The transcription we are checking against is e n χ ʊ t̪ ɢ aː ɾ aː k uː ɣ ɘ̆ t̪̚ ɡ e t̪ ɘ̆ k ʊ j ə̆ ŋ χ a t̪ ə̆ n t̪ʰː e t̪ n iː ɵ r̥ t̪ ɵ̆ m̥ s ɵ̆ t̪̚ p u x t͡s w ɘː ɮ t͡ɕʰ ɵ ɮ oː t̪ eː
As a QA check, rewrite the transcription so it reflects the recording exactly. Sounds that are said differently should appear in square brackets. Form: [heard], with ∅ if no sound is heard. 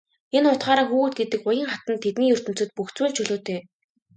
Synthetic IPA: e n χ ʊ t̪ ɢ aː ɾ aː [x] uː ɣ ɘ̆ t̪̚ ɡ e t̪ ɘ̆ k ʊ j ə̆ ŋ χ a t̪ ə̆ n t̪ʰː e t̪ n iː ɵ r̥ t̪ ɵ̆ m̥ [t͡s] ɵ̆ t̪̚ p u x t͡s w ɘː ɮ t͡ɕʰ ɵ ɮ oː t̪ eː

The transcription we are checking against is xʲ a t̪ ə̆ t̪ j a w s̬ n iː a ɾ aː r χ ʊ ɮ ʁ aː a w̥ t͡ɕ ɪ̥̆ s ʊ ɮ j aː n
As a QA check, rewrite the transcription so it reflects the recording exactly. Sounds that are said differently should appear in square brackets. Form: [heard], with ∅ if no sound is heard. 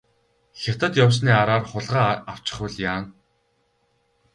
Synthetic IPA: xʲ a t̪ ə̆ t̪ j a w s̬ n iː a ɾ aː r χ ʊ ɮ ʁ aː a w̥ t͡ɕ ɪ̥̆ [χ] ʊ ɮ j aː n

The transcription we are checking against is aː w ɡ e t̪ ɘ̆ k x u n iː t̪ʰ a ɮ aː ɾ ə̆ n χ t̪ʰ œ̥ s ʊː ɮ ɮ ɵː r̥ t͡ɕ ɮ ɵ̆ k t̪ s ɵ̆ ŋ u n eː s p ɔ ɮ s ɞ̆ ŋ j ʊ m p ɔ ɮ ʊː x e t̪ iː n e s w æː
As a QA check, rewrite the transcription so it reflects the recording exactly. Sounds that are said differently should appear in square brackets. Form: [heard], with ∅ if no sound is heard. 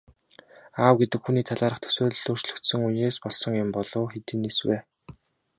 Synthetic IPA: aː w ɡ e t̪ ɘ̆ k x u n iː t̪ʰ a ɮ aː ɾ ə̆ [∅] χ t̪ʰ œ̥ s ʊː ɮ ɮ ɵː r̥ t͡ɕ ɮ ɵ̆ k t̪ s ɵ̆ ŋ u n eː s p ɔ ɮ s ɞ̆ ŋ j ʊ m p ɔ ɮ ʊː x e t̪ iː n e s w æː

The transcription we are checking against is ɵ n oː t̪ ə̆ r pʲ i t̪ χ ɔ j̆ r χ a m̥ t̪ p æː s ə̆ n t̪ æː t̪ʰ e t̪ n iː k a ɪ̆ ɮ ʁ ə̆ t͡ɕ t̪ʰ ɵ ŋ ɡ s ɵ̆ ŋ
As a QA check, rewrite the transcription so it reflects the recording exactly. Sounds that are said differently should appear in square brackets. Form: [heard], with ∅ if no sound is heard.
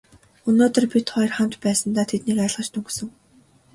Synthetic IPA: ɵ n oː t̪ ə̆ r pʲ i t̪ χ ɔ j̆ r χ a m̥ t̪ p æː s ə̆ n t̪ [aː] t̪ʰ e t̪ n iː k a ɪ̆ ɮ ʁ ə̆ t͡ɕ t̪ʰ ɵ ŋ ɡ s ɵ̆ ŋ

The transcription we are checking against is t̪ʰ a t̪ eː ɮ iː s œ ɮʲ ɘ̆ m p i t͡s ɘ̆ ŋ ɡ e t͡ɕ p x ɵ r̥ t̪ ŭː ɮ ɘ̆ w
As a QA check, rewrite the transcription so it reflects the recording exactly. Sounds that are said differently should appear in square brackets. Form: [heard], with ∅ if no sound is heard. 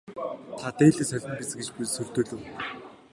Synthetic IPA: t̪ʰ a t̪ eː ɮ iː s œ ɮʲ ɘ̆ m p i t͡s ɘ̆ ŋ ɡ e t͡ɕ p [s] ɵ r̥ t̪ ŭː ɮ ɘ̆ w

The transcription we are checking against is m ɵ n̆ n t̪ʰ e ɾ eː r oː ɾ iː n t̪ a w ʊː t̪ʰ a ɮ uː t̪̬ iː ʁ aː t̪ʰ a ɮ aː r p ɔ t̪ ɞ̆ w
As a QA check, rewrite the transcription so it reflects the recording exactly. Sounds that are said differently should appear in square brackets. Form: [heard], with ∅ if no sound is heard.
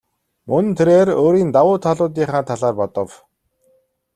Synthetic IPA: m ɵ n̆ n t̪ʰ e ɾ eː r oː ɾ iː n t̪ a w ʊː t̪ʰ a ɮ [ʊː] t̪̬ iː [χ] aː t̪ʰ a ɮ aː r p ɔ t̪ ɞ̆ w

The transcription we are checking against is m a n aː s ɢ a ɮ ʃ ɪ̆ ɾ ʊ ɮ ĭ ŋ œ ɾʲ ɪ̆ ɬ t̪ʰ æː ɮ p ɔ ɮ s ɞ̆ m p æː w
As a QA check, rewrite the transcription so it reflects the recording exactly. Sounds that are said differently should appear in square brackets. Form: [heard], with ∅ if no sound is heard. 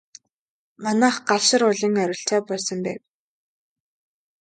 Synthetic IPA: m a n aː [χ] ɢ a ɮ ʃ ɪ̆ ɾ ʊ ɮ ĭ ŋ œ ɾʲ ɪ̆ ɬ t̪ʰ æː [∅] p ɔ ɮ s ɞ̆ m p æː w

